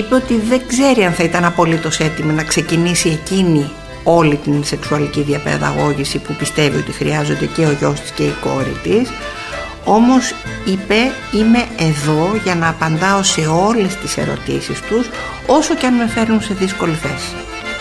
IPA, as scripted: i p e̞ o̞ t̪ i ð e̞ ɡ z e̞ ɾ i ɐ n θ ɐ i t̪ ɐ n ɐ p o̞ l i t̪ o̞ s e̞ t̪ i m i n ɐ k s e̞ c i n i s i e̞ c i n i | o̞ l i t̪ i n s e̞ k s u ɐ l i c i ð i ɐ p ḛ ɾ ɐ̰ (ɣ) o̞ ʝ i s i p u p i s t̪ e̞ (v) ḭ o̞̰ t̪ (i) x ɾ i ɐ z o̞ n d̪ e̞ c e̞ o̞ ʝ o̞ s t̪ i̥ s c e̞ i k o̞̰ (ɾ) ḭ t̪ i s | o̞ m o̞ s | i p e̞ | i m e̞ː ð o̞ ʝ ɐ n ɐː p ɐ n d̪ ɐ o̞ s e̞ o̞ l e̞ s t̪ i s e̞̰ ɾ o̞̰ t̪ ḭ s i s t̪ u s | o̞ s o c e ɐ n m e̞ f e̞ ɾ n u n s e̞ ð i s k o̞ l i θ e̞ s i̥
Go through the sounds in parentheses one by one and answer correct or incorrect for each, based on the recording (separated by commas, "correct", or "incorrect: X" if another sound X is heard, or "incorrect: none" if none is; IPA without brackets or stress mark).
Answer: correct, correct, correct, correct